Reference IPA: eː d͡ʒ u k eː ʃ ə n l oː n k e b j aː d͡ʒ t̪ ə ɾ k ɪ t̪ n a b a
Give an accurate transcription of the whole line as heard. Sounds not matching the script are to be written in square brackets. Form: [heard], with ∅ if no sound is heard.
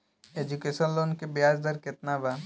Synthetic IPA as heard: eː d͡ʒ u k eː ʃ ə n l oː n k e b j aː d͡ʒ [d̪] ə ɾ k ɪ t̪ n a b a